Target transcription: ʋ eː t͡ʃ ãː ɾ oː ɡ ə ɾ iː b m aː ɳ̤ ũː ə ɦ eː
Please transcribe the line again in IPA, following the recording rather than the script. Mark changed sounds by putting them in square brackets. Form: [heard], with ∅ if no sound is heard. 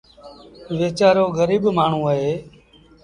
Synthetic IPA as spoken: ʋ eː t͡ʃ [aː] ɾ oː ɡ ə ɾ iː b m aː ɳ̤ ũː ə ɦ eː

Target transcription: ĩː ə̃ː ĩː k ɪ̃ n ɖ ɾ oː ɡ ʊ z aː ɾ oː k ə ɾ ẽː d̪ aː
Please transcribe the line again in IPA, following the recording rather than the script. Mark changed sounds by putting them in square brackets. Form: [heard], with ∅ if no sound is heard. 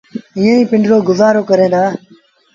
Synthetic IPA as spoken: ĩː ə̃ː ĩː [p] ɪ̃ [ɳ] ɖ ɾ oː ɡ ʊ z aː ɾ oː k ə ɾ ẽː d̪ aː

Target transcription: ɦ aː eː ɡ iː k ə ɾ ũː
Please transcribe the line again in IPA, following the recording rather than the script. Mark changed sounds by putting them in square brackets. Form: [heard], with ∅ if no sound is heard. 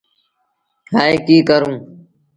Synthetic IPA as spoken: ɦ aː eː [k] iː k ə ɾ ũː

